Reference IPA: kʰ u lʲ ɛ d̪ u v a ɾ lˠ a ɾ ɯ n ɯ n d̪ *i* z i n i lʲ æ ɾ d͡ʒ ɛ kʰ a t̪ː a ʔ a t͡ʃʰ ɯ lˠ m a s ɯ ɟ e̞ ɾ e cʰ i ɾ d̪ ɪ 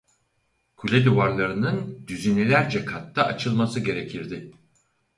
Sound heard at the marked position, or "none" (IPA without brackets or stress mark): y